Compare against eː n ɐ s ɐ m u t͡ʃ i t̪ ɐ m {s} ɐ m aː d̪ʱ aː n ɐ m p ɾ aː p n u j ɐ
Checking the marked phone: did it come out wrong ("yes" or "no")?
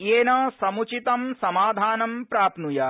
no